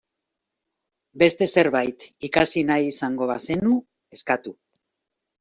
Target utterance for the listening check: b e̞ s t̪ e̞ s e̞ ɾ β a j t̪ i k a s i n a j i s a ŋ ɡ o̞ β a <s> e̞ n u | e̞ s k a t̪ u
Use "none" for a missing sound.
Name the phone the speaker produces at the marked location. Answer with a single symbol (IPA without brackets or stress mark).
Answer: s